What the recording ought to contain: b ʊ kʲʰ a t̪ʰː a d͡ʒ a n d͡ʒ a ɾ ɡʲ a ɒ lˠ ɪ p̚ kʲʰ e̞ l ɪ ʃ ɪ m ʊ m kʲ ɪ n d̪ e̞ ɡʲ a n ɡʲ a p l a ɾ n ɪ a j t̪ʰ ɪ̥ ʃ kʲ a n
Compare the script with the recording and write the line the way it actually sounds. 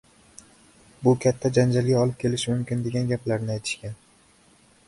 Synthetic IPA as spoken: b ʊ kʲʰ a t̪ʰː a d͡ʒ a n d͡ʒ a l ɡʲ a ɒ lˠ ɪ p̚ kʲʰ e̞ l ɪ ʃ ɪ m ʊ m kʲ ɪ n d̪ e̞ ɡʲ a n ɡʲ a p l a ɾ n ɪ a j t̪ʰ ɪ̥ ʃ kʲ a n